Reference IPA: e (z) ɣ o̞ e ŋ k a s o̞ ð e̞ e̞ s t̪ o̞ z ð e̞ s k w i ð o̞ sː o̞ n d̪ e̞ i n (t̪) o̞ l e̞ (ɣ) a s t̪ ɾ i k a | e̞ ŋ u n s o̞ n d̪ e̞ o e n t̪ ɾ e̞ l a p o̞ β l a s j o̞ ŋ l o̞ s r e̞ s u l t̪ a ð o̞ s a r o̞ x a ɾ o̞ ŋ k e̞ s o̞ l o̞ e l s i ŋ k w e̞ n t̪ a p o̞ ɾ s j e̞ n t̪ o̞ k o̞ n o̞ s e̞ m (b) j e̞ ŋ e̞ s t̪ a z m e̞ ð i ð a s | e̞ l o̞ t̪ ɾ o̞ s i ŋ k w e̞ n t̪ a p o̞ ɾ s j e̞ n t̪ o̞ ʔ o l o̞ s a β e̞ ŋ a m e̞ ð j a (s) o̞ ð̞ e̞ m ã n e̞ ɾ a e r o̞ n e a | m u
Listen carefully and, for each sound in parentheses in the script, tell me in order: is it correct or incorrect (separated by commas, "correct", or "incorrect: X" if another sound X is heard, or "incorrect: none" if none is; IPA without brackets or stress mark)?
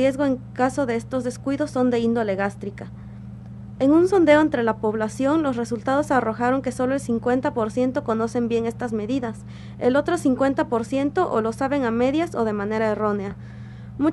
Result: correct, incorrect: d̪, correct, correct, correct